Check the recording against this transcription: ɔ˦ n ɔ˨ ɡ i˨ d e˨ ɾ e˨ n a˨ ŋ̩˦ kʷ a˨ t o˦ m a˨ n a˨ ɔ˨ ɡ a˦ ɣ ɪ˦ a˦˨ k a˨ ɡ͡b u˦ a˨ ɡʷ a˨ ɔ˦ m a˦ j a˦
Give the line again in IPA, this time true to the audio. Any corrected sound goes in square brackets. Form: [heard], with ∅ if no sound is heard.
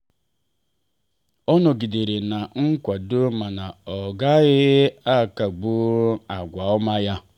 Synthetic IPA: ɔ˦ n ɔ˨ ɡ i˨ d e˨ ɾ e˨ n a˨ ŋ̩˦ kʷ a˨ [d] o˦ m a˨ n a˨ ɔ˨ ɡ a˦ ɣ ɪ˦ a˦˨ k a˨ ɡ͡b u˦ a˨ ɡʷ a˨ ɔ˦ m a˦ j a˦

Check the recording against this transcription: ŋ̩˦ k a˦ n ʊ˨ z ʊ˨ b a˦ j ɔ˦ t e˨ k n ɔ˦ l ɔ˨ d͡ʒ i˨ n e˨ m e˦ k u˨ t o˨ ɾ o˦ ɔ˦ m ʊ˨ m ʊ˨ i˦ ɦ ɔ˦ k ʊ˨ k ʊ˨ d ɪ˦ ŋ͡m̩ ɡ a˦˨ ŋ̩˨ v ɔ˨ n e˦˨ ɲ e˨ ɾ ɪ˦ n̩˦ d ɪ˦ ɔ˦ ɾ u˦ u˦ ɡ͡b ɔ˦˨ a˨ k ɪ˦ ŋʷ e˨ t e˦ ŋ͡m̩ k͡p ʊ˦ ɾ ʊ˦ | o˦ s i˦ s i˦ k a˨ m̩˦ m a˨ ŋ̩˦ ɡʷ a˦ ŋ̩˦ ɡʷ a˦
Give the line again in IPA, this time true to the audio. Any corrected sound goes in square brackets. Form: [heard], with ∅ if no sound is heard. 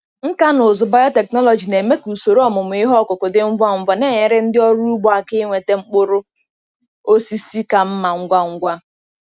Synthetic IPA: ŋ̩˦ k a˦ n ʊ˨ z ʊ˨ b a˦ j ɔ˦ t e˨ k n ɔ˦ l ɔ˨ d͡ʒ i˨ n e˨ m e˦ k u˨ [s] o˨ ɾ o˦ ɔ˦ m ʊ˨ m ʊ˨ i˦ ɦ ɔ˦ k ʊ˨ k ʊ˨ d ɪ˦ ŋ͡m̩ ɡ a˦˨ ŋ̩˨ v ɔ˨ n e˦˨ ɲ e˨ ɾ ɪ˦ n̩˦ d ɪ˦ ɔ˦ ɾ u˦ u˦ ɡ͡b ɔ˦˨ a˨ k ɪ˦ ŋʷ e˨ t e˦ ŋ͡m̩ k͡p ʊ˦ ɾ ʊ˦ | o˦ s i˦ s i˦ k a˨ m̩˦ m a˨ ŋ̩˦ ɡʷ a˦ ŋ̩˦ ɡʷ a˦

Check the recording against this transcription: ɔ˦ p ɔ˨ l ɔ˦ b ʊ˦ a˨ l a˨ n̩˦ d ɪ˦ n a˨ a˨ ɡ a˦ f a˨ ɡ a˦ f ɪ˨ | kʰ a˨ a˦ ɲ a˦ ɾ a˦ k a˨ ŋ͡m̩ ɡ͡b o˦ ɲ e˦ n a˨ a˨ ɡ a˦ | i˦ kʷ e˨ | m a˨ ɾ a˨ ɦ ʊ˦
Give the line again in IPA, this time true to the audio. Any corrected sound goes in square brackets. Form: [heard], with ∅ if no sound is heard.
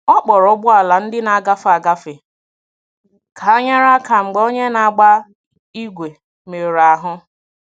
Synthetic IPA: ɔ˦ [k͡p] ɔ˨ [ɾ] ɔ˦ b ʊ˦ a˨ l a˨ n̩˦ d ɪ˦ n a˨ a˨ ɡ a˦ f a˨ ɡ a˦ f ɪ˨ | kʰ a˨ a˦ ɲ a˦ ɾ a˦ k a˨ ŋ͡m̩ ɡ͡b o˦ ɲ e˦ n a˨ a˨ [ɡ͡b] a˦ | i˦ [ɡʷ] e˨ | m [e˨] ɾ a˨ ɦ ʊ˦

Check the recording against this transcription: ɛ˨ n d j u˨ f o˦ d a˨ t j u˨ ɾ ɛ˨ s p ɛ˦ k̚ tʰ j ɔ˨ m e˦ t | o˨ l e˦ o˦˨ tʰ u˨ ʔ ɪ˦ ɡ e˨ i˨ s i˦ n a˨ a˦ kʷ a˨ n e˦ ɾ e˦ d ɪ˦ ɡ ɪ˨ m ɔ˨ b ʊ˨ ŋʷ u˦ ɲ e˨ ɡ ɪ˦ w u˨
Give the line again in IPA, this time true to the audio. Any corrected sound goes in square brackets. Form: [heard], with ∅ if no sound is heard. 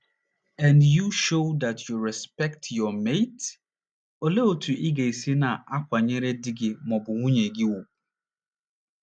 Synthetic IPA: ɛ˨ n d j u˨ [ʃ] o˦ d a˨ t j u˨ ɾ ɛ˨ s p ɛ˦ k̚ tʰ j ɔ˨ m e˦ t | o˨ l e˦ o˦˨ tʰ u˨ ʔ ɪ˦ ɡ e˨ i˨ s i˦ n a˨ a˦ kʷ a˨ [ɲ] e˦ ɾ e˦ d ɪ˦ ɡ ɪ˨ m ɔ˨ b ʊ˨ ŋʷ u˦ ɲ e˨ ɡ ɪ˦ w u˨

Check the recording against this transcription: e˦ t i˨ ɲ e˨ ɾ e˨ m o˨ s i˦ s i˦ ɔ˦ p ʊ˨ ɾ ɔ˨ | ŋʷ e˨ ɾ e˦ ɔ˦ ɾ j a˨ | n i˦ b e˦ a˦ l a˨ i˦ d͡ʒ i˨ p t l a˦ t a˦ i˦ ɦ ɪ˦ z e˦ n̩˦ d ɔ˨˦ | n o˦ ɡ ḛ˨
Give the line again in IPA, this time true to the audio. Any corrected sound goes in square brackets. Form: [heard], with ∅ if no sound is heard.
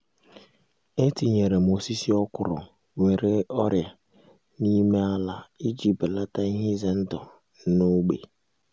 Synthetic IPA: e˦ t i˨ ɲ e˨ ɾ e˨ m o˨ s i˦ s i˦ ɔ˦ [k] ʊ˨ ɾ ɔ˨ | ŋʷ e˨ ɾ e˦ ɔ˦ ɾ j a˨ | n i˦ [m] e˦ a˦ l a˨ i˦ d͡ʒ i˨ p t l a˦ t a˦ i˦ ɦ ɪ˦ z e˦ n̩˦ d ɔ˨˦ | n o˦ [ɡ͡b] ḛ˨

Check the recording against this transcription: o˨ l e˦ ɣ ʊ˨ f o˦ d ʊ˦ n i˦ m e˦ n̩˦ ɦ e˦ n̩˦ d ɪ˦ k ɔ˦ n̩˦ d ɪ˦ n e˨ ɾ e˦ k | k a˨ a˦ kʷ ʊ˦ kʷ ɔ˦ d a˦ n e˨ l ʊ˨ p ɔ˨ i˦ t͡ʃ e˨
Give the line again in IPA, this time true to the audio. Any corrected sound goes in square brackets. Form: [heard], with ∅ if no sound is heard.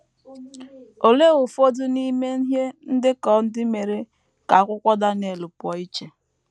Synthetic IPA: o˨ l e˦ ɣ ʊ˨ f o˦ d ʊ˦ n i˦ m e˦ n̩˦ ɦ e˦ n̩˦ d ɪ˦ k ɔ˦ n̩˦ d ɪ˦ [m] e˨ ɾ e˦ [∅] | k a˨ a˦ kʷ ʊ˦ kʷ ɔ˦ d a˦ n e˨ l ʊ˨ p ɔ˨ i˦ t͡ʃ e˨

